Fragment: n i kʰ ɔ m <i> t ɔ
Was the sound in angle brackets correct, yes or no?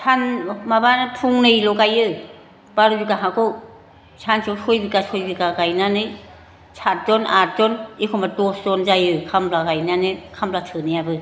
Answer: no